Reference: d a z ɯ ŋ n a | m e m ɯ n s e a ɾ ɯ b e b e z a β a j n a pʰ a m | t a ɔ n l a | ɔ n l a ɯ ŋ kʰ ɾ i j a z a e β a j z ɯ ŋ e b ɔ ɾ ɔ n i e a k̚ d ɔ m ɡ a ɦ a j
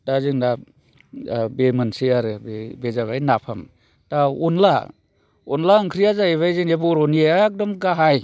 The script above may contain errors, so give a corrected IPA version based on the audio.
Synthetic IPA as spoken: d a z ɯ ŋ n a | b e m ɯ n s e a ɾ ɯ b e b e z a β a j n a pʰ a m | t a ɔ n l a | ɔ n l a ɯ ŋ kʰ ɾ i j a z a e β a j z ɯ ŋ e b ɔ ɾ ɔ n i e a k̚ d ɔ m ɡ a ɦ a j